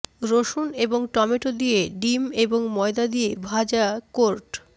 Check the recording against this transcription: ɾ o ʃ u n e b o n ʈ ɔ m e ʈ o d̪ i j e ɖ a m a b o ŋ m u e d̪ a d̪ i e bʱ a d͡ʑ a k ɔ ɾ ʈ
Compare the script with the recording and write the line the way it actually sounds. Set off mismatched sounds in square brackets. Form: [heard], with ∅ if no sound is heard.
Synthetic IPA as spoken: ɾ o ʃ u n e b o [ŋ] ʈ ɔ m e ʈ o d̪ i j e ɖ [i] m [e] b o ŋ m [ɔ] e d̪ a d̪ i e bʱ a d͡ʑ a k [o] ɾ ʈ